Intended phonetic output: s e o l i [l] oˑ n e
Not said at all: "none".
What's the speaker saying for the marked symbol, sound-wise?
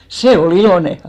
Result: l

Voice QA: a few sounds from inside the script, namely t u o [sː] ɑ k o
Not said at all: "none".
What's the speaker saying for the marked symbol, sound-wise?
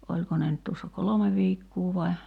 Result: sː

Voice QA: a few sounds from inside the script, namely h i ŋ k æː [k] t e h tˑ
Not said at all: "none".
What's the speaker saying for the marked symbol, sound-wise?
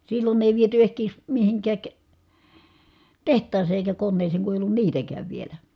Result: k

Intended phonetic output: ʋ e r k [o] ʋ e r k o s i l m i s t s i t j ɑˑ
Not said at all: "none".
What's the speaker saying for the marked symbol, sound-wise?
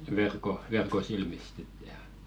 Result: o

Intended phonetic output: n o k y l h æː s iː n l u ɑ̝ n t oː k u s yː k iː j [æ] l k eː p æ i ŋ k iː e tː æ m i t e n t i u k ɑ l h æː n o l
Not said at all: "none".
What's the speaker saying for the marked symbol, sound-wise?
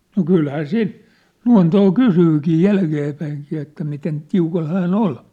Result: æ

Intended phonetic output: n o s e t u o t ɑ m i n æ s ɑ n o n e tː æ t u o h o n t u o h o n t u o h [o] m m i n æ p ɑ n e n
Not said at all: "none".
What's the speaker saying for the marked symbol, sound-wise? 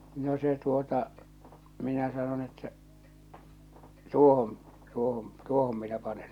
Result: o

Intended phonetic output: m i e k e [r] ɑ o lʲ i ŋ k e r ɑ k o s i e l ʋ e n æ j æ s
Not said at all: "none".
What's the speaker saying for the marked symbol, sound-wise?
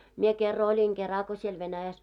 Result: rː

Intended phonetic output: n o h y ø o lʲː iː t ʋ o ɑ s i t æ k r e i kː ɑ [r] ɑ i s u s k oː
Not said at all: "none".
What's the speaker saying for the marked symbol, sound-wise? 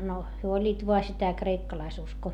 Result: l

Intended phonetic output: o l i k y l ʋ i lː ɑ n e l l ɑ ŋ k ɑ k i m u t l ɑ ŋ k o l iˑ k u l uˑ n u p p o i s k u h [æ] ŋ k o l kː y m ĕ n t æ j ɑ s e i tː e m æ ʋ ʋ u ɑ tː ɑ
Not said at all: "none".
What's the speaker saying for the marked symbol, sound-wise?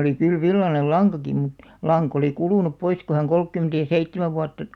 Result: æ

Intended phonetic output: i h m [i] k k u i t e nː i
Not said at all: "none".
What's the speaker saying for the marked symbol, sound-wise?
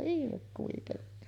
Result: e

